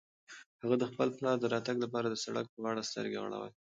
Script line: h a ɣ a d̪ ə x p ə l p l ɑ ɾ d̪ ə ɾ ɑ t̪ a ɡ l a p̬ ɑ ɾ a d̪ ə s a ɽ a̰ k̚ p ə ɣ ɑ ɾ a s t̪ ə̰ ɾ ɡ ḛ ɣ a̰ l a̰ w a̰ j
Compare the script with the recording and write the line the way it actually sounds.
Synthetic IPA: h a ɣ a d̪ ə x p ə l p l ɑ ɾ d̪ ə ɾ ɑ t̪ a ɡ l a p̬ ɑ ɾ a d̪ ə s a ɽ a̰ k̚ p ə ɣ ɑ ɽ a s t̪ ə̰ ɾ ɡ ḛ ɣ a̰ ɽ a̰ w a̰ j